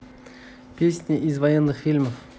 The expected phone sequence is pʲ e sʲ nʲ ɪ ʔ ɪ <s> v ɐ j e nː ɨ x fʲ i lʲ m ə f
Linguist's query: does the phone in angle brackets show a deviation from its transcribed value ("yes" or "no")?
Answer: yes